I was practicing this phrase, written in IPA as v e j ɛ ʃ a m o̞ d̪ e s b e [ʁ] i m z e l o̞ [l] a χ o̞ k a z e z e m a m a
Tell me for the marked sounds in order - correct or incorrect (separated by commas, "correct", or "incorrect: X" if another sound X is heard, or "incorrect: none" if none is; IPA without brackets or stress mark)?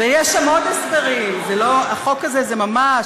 correct, incorrect: none